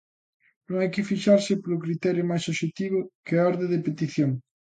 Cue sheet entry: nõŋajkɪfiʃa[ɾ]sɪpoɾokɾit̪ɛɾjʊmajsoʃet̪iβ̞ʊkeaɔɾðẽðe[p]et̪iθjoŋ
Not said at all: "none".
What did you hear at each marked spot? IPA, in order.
ɾ, p

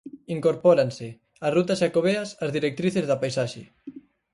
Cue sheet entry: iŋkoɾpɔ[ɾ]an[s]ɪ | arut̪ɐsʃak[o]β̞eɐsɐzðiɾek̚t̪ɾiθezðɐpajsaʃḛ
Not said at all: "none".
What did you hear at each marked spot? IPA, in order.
ɾ, s, o

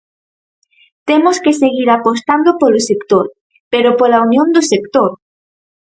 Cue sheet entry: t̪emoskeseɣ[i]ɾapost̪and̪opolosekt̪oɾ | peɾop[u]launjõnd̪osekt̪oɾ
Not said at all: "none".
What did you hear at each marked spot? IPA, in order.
i, o

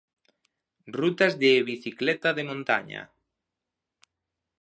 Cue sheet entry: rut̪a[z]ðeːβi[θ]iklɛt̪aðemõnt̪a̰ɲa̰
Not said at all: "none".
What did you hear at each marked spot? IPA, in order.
z, θ

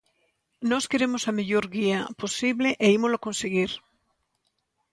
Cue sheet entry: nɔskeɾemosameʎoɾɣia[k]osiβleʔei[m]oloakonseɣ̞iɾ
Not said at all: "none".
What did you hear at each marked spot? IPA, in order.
p, m

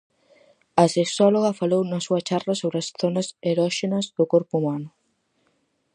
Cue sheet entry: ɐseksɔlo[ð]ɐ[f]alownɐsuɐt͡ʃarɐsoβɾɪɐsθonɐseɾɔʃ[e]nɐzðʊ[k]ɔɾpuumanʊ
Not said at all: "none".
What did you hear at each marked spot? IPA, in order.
ɣ, f, e, k

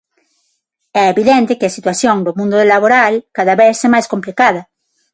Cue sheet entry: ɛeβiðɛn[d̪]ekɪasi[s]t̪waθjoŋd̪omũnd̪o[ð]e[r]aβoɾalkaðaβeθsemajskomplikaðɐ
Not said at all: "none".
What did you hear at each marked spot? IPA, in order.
t̪, none, ð, l

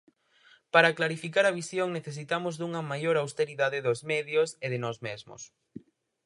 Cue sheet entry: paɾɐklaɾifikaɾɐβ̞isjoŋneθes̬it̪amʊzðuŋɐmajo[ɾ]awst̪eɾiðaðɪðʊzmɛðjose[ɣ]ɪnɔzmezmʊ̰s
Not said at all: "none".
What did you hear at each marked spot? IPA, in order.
ɾ, ð

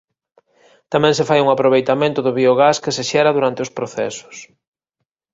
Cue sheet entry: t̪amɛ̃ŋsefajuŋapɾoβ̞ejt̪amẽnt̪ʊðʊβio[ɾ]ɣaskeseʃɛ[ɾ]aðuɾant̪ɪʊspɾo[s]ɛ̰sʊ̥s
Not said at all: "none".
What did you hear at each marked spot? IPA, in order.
none, ɾ, θ

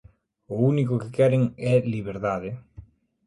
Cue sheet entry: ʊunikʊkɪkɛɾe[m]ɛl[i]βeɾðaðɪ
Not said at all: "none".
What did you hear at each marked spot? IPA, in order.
ŋ, i

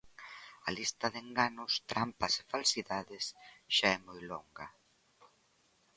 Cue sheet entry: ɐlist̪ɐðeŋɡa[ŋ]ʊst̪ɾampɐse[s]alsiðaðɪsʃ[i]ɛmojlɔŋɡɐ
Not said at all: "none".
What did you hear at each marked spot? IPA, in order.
n, f, a

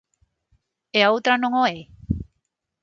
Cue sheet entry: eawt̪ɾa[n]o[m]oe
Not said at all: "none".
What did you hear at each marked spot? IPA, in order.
n, ŋ

